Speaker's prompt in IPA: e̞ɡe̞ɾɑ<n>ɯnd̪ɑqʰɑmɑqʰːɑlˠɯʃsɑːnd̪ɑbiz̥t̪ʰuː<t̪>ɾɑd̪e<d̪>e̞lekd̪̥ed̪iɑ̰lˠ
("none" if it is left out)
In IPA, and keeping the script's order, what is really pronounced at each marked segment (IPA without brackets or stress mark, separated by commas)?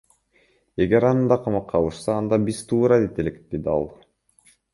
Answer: n, none, t̪